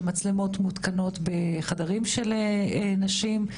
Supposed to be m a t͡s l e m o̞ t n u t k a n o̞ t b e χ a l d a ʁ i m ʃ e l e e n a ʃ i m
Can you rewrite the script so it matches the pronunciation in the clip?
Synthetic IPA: m a t͡s l e m o̞ t m u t k a n o̞ t b e χ a d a ʁ i m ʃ e l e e n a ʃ i m